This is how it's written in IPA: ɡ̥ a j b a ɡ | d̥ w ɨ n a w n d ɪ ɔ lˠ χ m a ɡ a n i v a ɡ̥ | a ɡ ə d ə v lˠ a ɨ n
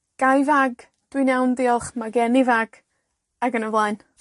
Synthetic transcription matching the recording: ɡ̥ a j v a ɡ | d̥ w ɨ n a w n d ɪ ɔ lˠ χ m a ɡ ɛ n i v a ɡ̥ | a ɡ ə n ə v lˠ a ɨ n